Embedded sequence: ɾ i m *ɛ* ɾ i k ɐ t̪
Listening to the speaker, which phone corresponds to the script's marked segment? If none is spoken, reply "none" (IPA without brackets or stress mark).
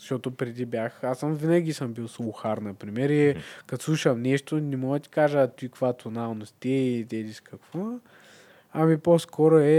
ɛ